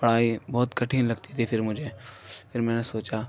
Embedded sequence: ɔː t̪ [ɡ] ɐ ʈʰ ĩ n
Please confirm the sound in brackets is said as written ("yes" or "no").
no